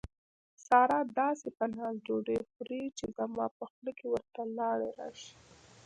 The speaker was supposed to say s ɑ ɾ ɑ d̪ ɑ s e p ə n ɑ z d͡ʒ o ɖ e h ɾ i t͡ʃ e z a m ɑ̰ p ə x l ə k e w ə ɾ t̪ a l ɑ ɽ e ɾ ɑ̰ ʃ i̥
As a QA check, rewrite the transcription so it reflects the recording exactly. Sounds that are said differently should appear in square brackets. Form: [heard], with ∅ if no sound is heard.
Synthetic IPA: s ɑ ɾ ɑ d̪ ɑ s e p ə n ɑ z d͡ʒ o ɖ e [x] ɾ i t͡ʃ e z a m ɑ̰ p ə x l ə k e w ə ɾ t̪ a l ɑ ɽ e ɾ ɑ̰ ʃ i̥